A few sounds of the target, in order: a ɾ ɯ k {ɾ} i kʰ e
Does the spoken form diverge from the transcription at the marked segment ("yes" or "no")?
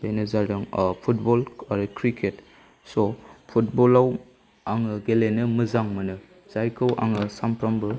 no